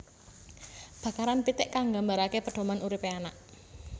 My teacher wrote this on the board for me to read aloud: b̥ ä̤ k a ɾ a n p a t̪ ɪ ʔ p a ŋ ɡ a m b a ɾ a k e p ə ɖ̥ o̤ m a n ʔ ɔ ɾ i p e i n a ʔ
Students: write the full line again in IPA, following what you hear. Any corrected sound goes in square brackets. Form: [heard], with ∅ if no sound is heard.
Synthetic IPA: b̥ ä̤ k a ɾ a n p [i] t̪ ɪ ʔ [k] a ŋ ɡ a m b a ɾ a k e p ə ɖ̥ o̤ m a n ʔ [u] ɾ i p e [a] n a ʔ